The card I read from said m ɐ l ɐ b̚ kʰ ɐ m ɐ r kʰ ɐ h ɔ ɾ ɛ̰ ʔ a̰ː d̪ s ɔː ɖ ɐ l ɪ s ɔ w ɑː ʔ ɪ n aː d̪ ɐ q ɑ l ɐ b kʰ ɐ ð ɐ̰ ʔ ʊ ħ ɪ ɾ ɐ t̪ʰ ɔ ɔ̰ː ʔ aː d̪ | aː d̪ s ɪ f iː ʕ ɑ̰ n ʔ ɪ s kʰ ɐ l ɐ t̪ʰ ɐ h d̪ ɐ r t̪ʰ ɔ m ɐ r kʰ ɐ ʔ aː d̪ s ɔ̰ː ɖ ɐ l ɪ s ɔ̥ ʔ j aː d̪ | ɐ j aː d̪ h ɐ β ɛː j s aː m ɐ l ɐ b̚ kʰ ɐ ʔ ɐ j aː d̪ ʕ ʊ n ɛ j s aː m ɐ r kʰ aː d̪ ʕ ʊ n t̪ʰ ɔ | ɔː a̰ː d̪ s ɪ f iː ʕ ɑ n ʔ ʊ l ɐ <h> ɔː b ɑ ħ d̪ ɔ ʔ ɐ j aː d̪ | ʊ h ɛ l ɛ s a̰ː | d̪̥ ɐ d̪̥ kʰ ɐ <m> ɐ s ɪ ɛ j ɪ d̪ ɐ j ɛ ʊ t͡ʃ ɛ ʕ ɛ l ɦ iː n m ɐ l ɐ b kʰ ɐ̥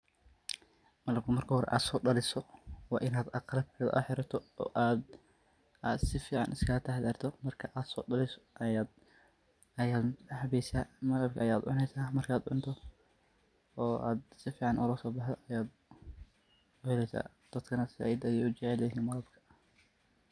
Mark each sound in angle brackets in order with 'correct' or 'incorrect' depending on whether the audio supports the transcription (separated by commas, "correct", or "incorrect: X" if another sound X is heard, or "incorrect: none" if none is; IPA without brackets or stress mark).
incorrect: s, incorrect: n